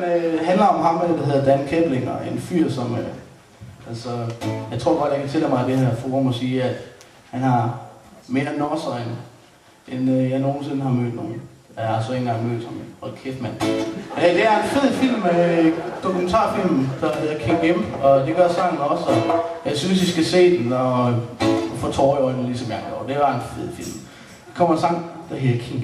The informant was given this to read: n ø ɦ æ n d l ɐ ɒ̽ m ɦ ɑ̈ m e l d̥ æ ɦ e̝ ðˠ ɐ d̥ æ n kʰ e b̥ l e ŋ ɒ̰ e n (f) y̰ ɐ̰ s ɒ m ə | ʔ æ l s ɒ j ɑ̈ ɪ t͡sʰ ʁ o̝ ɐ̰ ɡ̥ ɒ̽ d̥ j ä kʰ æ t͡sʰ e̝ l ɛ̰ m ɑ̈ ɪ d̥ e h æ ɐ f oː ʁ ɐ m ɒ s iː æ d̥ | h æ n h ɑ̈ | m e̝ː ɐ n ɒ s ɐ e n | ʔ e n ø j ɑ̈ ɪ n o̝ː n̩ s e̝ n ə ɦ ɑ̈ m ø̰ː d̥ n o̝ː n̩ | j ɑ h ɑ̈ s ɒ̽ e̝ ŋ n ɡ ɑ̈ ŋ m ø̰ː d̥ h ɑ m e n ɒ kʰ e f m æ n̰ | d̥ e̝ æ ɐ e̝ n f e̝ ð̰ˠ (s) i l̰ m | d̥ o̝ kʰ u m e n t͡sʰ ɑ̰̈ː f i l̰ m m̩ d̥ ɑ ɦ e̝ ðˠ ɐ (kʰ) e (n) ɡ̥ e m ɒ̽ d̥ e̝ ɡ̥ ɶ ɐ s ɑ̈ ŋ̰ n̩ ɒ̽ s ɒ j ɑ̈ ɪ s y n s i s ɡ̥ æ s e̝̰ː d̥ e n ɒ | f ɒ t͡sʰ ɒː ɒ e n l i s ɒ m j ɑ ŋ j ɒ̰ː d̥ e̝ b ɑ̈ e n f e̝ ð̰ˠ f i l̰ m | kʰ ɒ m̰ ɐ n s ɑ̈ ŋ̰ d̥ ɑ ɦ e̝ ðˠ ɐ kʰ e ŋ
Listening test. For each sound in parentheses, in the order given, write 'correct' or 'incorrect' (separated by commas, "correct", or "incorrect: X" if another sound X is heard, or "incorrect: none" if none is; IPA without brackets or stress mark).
correct, incorrect: f, correct, incorrect: ŋ